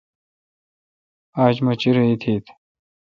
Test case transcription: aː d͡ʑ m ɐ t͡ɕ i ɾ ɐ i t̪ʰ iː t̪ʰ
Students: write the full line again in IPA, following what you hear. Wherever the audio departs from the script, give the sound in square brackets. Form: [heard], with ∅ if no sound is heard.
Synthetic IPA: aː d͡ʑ m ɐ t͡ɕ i ɾ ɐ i t̪ʰ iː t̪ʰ